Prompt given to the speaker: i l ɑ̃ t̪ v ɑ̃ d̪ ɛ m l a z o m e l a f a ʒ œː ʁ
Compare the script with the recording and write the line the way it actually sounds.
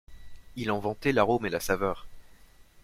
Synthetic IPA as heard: i l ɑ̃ v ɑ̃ t̪ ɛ l a ʁ o m e l a s a v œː ʁ